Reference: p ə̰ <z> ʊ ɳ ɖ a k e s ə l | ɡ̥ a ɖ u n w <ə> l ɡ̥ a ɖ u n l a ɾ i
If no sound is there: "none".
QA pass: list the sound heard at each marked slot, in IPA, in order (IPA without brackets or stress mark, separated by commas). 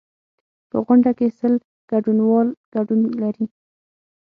ɣ, ɑ